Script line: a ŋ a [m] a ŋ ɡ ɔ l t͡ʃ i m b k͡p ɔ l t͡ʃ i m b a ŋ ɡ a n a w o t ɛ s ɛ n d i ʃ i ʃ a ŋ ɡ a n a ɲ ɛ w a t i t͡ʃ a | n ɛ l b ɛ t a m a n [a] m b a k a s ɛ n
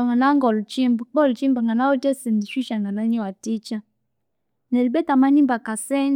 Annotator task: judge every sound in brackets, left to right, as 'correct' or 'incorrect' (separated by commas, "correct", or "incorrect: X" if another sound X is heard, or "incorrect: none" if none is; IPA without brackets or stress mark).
incorrect: n, incorrect: i